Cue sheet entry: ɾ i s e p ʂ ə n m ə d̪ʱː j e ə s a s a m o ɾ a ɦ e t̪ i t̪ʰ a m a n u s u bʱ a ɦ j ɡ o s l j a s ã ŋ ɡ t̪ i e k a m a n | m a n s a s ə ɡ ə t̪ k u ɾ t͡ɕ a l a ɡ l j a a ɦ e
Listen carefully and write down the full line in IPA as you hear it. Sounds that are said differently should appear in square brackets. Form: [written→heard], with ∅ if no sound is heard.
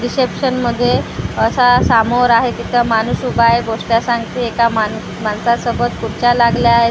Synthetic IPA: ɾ i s e p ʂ ə n m ə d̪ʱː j e ə s a s a m o ɾ a ɦ e t̪ i t̪ʰ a m a n u s u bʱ a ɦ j ɡ o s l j a s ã ŋ ɡ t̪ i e k a m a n | m a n s a s ə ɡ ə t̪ k u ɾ t͡ɕ a l a ɡ l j a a ɦ e